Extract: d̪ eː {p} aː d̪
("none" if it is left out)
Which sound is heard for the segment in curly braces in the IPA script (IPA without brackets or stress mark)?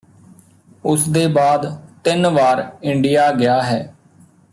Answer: b